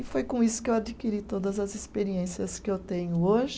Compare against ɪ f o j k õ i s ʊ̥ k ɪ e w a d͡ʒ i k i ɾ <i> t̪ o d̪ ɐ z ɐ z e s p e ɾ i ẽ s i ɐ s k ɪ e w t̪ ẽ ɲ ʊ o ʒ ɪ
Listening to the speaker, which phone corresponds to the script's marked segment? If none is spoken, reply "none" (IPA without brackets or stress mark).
i